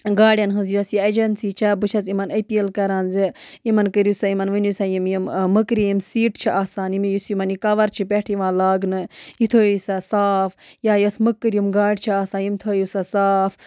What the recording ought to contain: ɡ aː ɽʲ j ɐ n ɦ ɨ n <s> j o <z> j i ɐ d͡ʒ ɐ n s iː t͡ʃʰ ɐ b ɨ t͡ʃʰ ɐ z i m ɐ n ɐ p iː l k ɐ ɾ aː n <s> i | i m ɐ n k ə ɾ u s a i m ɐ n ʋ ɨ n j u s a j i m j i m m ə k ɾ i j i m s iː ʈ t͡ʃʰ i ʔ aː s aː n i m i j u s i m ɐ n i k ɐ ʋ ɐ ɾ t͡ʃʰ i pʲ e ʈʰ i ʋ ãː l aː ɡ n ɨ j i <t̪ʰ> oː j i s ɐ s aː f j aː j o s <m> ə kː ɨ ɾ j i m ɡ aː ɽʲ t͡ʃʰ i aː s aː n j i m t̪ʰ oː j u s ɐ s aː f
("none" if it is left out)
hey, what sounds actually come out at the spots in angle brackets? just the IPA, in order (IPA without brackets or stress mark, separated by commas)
z, s, z, t̪ʰ, m